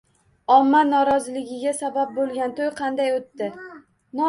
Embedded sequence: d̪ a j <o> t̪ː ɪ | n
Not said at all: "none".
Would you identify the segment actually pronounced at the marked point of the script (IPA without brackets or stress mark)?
o